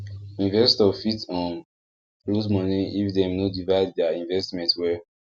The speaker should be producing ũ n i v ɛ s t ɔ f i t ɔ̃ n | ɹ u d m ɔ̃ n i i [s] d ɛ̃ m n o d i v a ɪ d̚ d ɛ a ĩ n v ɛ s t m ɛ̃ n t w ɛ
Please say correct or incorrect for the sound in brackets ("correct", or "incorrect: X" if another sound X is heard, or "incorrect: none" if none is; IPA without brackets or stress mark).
incorrect: f